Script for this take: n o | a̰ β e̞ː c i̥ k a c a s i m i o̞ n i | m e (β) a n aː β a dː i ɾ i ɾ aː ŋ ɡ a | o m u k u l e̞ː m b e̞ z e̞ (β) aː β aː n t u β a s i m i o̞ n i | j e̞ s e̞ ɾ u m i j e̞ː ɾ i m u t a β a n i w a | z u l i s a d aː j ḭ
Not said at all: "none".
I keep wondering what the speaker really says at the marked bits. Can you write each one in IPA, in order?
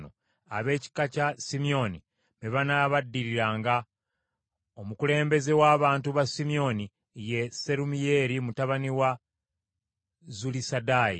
β, w

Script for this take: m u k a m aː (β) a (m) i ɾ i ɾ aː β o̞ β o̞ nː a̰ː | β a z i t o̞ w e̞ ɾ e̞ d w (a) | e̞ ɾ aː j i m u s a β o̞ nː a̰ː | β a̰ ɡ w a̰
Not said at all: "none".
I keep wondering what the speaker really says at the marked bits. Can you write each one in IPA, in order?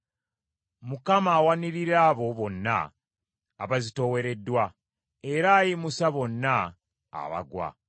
w, n, a

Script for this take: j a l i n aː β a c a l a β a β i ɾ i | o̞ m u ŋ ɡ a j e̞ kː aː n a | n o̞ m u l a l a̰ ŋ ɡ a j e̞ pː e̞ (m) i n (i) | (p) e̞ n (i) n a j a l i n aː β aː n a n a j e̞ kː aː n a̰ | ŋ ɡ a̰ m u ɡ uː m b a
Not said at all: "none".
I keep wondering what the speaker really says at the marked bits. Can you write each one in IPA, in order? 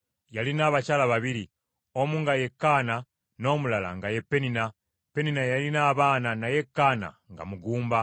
n, a, p, i

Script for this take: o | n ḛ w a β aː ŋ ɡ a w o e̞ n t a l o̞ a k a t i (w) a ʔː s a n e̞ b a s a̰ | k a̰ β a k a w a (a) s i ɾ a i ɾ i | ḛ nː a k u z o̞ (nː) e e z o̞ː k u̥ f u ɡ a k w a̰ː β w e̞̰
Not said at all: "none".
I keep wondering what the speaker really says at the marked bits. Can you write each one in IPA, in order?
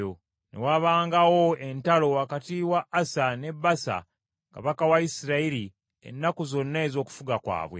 w, i, nː

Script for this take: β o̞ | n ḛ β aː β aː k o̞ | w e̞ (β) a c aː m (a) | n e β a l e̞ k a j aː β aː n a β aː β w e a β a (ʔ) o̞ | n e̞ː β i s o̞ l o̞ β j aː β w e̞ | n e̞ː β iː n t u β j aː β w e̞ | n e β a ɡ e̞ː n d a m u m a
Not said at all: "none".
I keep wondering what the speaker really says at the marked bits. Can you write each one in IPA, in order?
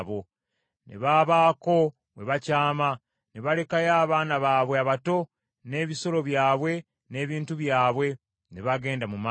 β, a, t

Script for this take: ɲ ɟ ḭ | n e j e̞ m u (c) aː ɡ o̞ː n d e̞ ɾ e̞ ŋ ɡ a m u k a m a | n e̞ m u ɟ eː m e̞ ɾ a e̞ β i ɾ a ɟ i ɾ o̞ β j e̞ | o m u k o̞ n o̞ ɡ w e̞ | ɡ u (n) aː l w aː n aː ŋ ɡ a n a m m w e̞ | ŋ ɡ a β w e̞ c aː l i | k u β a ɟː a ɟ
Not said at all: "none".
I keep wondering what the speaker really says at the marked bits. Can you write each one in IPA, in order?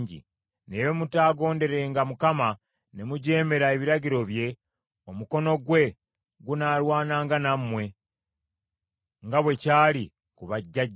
t, n

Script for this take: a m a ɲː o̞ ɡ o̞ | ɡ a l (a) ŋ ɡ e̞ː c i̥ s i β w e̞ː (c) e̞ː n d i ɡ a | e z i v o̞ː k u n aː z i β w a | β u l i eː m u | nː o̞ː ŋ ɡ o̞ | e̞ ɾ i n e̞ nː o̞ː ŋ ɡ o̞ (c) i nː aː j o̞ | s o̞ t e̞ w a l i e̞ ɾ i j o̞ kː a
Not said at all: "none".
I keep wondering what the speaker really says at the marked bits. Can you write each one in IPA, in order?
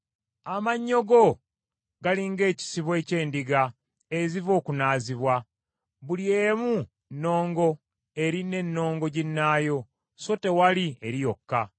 i, c, ɟ

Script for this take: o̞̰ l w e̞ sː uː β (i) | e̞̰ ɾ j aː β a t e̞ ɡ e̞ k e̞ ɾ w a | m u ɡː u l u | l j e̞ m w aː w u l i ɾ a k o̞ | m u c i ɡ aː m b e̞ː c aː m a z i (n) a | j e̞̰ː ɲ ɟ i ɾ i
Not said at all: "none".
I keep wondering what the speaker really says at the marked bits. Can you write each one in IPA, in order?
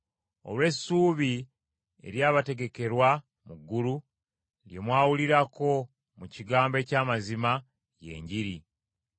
i, m

